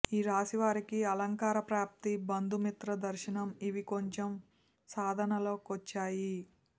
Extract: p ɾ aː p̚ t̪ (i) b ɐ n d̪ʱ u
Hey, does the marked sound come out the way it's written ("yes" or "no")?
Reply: yes